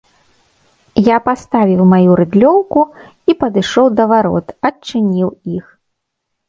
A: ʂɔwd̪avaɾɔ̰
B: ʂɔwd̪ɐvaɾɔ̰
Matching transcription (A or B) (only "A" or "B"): B